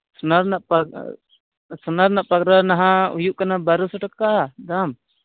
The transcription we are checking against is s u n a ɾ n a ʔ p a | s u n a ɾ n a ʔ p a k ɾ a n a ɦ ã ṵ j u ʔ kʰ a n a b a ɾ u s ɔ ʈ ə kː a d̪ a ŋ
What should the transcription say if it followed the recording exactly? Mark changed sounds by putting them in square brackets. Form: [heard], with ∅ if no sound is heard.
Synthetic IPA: s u n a ɾ n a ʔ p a | s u n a ɾ n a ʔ p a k ɾ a n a ɦ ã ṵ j u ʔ [k] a n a b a ɾ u s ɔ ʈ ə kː a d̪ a [m]